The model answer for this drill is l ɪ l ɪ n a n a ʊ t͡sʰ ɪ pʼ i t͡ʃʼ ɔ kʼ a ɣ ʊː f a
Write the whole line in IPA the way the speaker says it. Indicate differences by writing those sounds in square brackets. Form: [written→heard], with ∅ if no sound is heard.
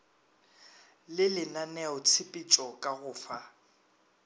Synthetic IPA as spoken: l ɪ l ɪ n a n [a→ɛ] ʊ t͡sʰ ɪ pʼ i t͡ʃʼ ɔ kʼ a ɣ ʊː f a